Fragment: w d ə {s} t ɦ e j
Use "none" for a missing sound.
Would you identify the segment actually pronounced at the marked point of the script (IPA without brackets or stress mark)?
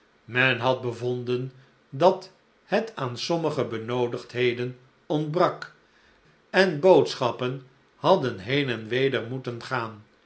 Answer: χ